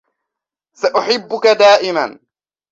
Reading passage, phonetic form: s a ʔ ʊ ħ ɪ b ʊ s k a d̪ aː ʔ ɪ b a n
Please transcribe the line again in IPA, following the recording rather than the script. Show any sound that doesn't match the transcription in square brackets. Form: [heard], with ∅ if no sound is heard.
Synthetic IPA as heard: s a ʔ ʊ ħ ɪ [bː] ʊ [∅] k a d̪ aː ʔ ɪ [m] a n